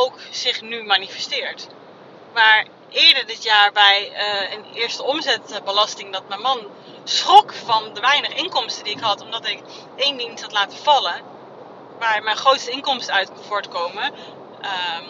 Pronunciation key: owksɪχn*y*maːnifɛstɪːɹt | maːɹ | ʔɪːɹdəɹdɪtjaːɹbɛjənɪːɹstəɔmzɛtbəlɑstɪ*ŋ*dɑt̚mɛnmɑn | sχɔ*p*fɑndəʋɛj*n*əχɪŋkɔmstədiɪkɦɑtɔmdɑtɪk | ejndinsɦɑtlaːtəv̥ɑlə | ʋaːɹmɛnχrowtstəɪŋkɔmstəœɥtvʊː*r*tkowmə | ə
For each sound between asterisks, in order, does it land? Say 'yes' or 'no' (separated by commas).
yes, yes, no, yes, no